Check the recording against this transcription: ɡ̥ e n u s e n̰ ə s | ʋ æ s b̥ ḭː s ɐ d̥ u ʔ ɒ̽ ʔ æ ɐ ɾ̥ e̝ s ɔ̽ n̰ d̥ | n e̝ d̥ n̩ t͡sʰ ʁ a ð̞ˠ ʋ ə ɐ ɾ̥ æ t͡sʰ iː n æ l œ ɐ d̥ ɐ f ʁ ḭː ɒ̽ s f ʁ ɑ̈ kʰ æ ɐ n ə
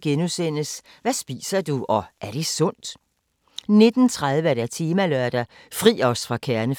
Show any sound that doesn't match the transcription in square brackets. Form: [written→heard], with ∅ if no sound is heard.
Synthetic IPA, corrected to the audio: ɡ̥ e n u s e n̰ ə s | ʋ æ s b̥ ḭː s ɐ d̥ u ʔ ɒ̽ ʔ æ ɐ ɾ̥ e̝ s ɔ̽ n̰ d̥ | n e̝ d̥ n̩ t͡sʰ ʁ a ð̞ˠ ʋ ə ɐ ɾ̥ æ t͡sʰ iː [n→m] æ l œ ɐ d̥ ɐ f ʁ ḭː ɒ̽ s f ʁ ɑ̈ kʰ æ ɐ n ə